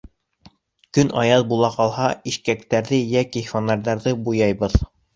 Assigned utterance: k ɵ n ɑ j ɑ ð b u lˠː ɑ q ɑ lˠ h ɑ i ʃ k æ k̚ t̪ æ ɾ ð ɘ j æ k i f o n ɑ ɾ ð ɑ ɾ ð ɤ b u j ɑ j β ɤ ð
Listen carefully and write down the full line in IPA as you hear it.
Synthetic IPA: k ɵ n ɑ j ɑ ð b u lˠ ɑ q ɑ lˠ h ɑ i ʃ k æ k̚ t̪ æ ɾ ð ɘ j æ k i f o n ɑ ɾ ð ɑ ɾ ð ɤ b u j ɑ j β ɤ ð